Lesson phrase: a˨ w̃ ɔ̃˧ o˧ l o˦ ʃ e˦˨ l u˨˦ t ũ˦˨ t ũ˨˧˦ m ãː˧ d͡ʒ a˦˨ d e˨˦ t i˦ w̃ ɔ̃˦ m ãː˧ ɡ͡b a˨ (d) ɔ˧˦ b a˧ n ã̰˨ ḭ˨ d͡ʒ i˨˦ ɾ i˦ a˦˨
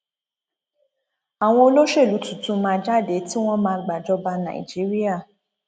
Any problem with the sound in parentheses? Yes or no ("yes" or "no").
yes